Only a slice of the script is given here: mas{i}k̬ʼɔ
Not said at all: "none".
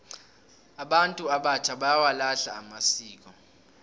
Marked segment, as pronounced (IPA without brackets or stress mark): iː